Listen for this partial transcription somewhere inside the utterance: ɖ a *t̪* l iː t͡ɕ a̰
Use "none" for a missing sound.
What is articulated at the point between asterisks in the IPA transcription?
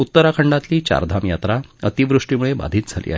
t̪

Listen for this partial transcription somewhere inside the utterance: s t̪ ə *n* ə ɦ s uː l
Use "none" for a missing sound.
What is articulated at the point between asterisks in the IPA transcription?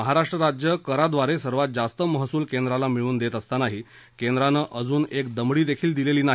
m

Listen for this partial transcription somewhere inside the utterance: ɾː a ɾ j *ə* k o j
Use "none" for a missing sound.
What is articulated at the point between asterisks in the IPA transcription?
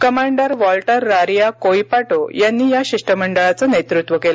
a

